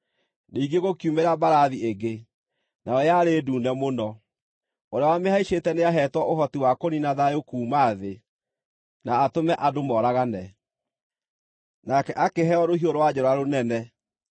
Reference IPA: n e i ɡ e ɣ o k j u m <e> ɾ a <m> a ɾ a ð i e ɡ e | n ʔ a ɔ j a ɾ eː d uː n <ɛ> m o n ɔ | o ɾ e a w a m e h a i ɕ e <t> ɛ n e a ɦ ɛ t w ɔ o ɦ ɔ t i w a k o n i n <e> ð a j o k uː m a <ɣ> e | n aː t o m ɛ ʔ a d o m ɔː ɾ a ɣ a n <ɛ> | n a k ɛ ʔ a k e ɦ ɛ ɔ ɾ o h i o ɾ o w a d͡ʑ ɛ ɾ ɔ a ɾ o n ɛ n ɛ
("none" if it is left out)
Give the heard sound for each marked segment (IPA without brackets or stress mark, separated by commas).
e, b, ɛ, t, a, ð, ɛ